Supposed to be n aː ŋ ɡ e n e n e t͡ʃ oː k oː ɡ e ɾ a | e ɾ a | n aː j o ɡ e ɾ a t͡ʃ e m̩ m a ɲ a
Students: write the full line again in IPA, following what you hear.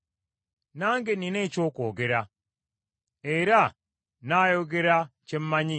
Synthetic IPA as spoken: n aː ŋ ɡ e n i n e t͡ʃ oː k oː ɡ e ɾ a | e ɾ a | n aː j o ɡ e ɾ a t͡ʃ e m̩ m a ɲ i